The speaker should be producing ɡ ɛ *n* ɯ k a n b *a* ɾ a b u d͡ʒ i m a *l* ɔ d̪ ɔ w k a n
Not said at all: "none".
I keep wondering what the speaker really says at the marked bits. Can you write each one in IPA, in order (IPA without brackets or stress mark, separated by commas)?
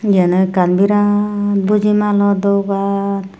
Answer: n, i, l